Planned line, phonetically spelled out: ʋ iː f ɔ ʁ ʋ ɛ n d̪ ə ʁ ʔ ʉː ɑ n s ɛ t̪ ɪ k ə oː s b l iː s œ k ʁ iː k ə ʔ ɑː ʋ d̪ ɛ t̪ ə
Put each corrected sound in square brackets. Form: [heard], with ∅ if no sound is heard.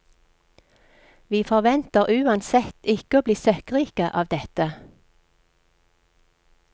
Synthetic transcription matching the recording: ʋ iː f ɔ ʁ ʋ ɛ n [t̪] ə ʁ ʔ ʉː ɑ n s ɛ t̪ ɪ k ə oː [∅] b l iː s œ k ʁ iː k ə ʔ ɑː ʋ d̪ ɛ t̪ ə